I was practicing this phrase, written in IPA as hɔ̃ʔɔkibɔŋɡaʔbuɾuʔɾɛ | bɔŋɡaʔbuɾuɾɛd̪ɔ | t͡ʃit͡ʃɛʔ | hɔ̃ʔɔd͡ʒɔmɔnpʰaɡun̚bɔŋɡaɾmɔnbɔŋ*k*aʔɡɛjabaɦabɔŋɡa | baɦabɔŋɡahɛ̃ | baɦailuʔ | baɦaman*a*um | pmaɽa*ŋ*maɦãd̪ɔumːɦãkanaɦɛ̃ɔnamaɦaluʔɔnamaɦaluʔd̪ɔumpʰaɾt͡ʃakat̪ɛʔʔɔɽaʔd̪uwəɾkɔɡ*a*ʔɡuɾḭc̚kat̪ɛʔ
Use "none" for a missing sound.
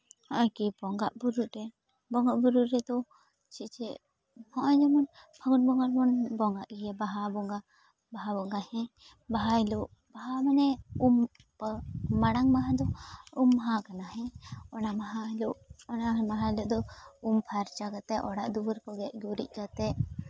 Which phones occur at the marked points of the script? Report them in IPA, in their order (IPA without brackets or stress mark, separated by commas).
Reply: ɡ, ɛ, ŋ, ɛ